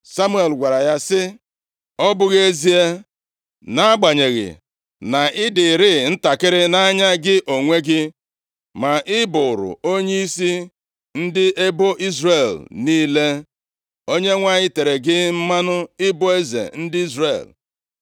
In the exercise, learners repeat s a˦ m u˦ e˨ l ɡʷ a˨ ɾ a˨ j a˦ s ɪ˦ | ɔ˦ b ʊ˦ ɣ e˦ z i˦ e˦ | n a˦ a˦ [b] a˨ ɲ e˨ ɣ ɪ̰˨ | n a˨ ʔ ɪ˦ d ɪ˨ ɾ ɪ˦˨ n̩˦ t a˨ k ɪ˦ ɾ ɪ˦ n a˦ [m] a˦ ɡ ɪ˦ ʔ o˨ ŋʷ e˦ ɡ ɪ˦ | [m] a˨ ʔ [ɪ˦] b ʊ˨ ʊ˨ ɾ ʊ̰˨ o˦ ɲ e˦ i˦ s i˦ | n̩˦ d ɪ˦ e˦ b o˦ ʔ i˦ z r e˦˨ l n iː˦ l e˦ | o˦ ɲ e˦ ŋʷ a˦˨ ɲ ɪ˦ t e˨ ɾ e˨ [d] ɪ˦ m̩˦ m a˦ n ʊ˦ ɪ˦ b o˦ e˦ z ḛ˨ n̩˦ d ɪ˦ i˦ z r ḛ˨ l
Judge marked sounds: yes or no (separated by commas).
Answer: no, no, yes, yes, no